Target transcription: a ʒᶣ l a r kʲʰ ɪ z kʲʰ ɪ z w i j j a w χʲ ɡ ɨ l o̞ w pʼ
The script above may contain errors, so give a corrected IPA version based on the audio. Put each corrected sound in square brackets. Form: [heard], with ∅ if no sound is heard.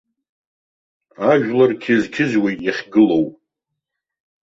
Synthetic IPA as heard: a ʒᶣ l a r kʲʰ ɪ z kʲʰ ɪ z w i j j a [∅] χʲ ɡ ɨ l o̞ w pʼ